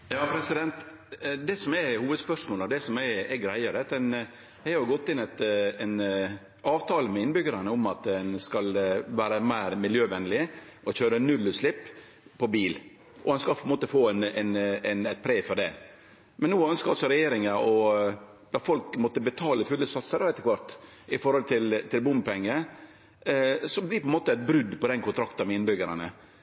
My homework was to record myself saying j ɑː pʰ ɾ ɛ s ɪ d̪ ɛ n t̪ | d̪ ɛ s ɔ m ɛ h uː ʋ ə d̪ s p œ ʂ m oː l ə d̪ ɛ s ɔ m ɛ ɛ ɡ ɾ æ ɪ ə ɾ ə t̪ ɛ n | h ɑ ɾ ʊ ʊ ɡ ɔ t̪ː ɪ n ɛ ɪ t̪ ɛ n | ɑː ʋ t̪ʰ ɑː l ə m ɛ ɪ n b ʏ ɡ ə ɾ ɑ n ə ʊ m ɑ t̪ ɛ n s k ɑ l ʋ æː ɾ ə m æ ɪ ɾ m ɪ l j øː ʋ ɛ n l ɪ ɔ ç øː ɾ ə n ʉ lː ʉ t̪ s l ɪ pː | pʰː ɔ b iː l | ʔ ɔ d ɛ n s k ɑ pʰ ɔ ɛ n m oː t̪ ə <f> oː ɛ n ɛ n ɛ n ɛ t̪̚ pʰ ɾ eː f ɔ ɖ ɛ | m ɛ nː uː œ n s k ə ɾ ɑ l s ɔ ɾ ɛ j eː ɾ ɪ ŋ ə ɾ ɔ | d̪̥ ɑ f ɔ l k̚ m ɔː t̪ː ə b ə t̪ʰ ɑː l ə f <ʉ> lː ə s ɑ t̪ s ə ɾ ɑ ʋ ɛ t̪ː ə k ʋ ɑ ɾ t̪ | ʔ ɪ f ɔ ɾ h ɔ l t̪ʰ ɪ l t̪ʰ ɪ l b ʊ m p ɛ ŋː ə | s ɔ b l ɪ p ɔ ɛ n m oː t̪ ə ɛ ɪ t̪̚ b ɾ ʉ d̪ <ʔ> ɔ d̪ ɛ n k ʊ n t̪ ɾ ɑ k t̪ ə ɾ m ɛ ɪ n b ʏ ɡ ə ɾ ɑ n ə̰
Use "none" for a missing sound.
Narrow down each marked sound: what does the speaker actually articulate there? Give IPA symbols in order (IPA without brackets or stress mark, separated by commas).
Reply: f, ʉ, p